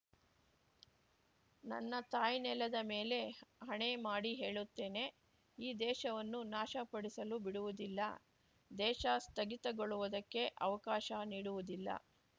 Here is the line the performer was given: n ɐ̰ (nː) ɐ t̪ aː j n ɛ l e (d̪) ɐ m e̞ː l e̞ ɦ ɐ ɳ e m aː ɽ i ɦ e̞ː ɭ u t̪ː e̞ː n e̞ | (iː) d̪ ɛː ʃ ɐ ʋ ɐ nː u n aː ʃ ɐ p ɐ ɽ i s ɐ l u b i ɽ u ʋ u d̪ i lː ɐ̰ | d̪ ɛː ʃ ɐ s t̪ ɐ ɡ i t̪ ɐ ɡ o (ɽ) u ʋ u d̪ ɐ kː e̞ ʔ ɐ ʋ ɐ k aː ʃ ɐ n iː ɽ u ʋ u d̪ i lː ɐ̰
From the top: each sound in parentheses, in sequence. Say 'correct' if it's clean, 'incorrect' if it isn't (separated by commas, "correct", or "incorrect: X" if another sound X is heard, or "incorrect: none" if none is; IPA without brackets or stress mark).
correct, correct, correct, incorrect: ɭ